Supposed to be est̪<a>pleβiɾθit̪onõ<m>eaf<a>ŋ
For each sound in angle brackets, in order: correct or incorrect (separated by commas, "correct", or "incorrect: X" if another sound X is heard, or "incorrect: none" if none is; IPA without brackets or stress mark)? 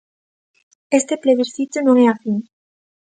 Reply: incorrect: e, incorrect: ŋ, incorrect: i